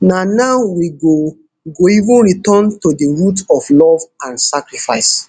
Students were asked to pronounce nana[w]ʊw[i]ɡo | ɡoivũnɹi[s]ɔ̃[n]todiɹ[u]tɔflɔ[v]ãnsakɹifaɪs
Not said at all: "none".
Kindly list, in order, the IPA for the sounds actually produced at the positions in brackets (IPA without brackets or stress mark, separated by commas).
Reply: none, i, t, n, u, v